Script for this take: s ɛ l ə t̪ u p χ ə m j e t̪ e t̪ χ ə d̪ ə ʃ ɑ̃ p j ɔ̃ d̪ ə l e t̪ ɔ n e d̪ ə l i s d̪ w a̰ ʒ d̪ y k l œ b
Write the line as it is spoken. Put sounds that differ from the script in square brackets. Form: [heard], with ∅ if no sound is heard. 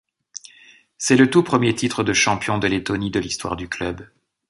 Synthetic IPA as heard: s ɛ l ə t̪ u p χ ə m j e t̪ [i] t̪ χ ə d̪ ə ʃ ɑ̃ p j ɔ̃ d̪ ə l e t̪ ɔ n [i] d̪ ə l i s [t̪] w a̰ [ʁ] d̪ y k l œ b